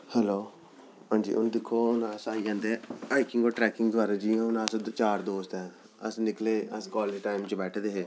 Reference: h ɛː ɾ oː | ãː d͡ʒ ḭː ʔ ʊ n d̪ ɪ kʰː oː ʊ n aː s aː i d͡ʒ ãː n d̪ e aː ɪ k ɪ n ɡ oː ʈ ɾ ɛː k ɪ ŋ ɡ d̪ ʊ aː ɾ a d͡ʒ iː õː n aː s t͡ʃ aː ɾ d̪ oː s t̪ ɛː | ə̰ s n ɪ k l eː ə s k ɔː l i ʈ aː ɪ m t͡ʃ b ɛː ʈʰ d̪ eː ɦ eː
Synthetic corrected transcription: h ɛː l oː | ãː d͡ʒ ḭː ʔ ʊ n d̪ ɪ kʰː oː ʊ n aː s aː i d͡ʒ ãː n d̪ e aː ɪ k ɪ ŋ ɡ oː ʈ ɾ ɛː k ɪ ŋ ɡ d̪ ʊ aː ɾ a d͡ʒ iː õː n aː s t͡ʃ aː ɾ d̪ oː s t̪ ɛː | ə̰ s n ɪ k l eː ə s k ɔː l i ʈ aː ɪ m t͡ʃ b ɛː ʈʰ d̪ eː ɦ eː